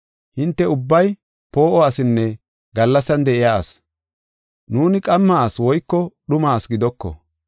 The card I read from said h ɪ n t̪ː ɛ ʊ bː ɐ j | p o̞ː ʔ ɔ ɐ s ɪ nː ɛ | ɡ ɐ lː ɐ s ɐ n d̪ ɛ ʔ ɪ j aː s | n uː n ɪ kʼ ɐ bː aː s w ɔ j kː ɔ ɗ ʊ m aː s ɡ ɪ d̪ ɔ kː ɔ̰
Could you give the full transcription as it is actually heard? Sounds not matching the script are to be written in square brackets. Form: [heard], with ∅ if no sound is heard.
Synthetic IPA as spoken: h ɪ n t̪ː ɛ ʊ bː ɐ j | p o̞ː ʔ ɔ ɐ s ɪ nː ɛ | ɡ ɐ lː ɐ s ɐ n d̪ ɛ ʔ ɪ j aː s | n uː n ɪ kʼ ɐ [mː] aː s w ɔ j kː ɔ ɗ ʊ m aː s ɡ ɪ d̪ ɔ kː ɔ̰